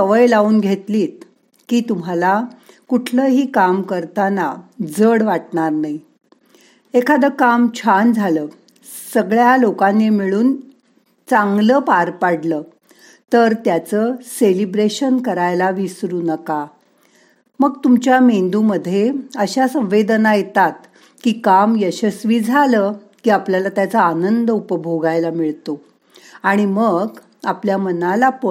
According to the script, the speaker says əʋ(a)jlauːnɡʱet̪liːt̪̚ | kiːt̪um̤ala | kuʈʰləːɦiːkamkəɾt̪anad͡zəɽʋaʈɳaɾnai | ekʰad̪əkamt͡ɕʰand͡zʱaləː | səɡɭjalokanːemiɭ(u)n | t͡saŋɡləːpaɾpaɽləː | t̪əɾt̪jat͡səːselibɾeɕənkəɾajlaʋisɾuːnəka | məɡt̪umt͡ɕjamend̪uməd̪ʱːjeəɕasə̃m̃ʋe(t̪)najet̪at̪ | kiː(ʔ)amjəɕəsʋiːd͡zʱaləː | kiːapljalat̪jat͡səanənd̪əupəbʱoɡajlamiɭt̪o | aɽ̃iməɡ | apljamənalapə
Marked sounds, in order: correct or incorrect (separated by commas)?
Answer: incorrect, incorrect, incorrect, incorrect